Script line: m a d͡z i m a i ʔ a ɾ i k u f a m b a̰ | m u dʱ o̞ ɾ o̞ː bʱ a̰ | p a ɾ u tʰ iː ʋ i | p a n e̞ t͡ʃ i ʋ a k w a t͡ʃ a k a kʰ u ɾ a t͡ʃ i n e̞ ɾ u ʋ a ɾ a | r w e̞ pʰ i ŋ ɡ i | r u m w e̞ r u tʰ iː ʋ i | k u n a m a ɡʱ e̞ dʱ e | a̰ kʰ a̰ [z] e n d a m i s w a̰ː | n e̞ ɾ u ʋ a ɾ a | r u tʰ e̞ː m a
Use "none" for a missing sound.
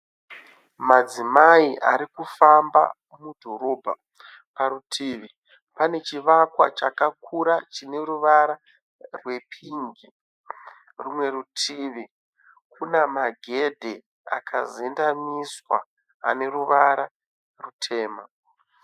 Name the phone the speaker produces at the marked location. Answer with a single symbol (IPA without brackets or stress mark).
z